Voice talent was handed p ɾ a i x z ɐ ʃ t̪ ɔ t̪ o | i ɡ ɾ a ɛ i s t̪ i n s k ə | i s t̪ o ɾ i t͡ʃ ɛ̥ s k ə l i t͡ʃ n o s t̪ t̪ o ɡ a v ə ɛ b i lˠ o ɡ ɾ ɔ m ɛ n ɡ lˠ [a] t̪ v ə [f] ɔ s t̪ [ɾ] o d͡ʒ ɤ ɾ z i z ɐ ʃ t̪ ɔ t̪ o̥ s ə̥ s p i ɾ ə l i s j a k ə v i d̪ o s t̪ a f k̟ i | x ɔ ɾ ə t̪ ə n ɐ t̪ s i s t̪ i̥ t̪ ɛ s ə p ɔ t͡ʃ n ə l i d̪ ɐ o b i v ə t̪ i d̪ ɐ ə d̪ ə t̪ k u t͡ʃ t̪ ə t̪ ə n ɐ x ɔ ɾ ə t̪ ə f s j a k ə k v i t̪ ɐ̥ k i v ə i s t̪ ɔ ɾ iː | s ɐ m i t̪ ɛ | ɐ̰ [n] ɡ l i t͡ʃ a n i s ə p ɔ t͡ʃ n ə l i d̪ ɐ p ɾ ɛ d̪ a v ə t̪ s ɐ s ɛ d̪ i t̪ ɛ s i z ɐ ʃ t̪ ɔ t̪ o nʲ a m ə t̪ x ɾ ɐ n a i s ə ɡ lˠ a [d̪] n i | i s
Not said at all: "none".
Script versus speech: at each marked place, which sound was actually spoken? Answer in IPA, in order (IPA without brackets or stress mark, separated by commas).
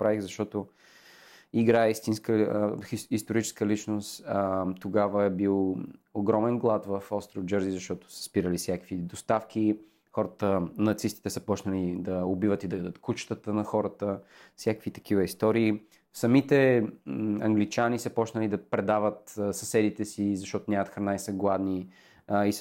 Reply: a, f, ɾ, ŋ, d̪